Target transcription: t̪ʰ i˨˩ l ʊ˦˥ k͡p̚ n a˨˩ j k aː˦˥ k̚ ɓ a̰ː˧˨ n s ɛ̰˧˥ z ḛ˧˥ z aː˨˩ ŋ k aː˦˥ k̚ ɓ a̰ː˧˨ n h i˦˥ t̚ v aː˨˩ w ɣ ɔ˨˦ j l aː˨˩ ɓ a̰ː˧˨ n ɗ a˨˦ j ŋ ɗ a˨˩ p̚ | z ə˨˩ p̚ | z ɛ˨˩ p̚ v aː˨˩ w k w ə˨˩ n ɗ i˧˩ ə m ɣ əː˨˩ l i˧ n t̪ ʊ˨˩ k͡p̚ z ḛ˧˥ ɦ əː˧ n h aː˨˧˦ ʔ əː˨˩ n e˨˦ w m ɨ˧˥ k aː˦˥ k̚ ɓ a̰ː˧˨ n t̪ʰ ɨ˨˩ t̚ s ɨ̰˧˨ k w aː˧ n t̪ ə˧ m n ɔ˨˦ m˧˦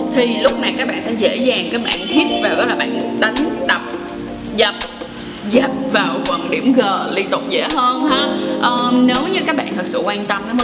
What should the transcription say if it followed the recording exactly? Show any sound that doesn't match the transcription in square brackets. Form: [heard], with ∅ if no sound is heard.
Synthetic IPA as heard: t̪ʰ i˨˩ l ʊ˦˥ k͡p̚ n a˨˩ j k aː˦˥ k̚ ɓ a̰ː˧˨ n s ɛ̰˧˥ z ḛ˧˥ z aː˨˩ ŋ k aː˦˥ k̚ ɓ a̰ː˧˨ n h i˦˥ t̚ v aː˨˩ w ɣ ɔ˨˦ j l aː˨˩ ɓ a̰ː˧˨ n ɗ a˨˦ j ŋ ɗ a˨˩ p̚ | z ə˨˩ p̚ | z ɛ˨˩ p̚ v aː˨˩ w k w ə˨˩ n ɗ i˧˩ ə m ɣ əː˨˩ l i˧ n t̪ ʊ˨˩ k͡p̚ z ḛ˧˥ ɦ əː˧ n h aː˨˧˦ ʔ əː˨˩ n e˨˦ w [ɲ] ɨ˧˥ k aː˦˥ k̚ ɓ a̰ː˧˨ n t̪ʰ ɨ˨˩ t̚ s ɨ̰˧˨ k w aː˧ n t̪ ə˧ m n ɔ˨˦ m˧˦